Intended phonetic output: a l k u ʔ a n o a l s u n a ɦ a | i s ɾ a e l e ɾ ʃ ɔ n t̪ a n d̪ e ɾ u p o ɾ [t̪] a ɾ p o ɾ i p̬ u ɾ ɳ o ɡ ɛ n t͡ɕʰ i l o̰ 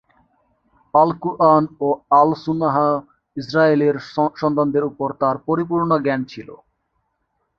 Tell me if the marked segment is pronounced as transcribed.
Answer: yes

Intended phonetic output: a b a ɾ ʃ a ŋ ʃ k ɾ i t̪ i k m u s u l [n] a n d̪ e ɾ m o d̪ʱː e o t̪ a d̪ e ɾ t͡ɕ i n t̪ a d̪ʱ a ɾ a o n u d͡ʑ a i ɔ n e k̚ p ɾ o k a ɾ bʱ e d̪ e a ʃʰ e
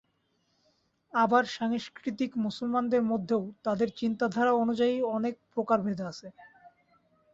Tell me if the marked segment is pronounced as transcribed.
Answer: no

